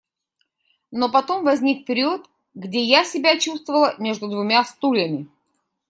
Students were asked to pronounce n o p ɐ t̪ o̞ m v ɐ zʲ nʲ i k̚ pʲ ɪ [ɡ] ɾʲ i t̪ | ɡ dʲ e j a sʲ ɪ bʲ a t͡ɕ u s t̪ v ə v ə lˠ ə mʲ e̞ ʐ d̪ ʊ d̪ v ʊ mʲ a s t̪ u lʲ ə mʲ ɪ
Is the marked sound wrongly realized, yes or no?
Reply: yes